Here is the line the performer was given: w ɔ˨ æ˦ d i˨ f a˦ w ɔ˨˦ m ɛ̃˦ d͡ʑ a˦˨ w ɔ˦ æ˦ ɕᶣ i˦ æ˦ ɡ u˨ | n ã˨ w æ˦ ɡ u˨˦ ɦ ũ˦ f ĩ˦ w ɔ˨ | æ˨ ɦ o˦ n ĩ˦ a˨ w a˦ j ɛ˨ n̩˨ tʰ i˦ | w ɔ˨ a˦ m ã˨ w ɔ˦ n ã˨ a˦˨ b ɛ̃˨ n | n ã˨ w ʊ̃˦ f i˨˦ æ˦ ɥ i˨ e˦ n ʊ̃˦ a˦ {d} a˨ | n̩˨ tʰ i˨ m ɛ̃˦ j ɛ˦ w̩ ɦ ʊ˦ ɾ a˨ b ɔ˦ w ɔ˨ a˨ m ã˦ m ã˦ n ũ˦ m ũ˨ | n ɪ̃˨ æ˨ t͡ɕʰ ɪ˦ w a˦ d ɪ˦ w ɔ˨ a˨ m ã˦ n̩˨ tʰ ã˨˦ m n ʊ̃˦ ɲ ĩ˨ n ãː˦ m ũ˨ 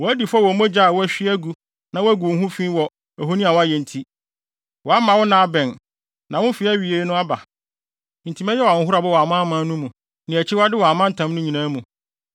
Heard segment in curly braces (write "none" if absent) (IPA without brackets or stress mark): b